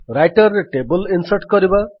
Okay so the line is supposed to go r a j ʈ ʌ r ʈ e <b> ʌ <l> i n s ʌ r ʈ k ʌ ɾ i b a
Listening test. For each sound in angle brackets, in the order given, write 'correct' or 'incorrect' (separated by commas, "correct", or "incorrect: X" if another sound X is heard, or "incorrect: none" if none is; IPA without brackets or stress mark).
correct, correct